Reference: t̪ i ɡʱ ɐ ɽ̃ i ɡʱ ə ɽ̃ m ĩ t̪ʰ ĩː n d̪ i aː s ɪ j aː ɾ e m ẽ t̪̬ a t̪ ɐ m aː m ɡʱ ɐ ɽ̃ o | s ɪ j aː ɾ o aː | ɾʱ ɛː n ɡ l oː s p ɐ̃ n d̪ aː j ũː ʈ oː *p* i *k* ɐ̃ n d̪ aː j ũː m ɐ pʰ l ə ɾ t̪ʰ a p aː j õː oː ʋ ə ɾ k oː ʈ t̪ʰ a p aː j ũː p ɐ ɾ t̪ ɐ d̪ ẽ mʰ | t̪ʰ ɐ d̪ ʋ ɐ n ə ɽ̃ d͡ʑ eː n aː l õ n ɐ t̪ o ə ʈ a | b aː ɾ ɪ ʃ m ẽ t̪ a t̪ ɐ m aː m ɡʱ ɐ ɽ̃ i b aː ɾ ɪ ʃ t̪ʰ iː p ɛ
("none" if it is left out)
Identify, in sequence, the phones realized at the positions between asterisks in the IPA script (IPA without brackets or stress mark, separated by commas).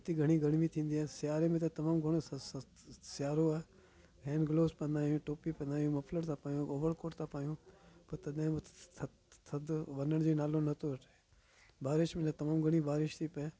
p, p